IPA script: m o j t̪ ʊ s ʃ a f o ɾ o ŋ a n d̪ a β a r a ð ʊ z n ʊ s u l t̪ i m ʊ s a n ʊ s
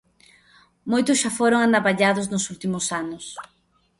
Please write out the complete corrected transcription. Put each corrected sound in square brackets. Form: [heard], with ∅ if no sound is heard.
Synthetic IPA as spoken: m o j t̪ ʊ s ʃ a f o ɾ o ŋ a n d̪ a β a [ʎ] a ð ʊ z n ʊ s u l t̪ i m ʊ s a n ʊ s